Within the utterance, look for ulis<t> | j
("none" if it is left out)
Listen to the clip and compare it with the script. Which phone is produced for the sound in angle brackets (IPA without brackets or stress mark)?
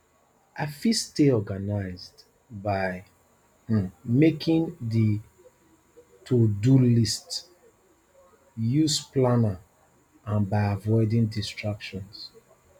t